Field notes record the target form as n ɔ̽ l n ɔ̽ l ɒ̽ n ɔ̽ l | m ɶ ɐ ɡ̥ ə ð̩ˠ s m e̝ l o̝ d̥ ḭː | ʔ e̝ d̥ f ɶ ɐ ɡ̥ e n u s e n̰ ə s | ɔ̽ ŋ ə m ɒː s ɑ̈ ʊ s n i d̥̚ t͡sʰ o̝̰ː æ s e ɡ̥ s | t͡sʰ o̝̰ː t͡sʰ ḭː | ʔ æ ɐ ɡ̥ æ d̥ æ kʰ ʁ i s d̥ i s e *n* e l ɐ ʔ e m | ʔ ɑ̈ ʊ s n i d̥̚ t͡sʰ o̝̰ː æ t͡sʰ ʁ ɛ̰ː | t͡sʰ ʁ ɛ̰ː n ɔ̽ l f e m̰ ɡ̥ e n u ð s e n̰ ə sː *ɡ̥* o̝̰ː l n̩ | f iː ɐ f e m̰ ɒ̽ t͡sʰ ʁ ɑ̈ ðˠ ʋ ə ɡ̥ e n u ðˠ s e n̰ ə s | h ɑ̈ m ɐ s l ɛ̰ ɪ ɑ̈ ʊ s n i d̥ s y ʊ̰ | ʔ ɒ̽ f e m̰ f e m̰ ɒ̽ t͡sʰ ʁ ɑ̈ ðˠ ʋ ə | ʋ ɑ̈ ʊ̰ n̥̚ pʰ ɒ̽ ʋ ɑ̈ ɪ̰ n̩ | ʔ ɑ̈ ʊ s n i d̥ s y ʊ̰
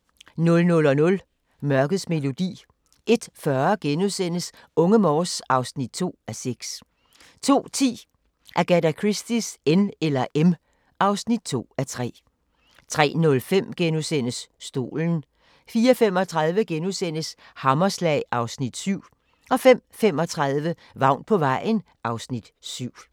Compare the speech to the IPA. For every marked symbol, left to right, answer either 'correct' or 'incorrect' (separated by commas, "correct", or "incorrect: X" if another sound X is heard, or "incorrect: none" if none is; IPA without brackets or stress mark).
correct, incorrect: d̥